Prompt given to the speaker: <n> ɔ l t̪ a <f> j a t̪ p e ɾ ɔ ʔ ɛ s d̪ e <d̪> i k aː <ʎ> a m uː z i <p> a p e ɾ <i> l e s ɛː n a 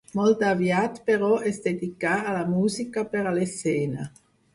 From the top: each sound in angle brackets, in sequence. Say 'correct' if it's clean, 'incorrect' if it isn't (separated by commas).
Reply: incorrect, incorrect, correct, incorrect, incorrect, incorrect